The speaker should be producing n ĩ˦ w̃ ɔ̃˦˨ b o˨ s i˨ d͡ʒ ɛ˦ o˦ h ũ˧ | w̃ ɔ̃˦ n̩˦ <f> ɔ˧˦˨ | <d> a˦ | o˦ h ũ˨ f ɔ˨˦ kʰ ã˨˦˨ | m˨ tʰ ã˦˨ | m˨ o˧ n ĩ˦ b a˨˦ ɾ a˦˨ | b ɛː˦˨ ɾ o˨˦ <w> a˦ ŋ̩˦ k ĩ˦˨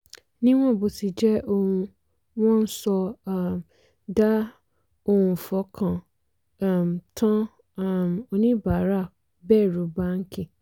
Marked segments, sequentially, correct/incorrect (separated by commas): incorrect, correct, incorrect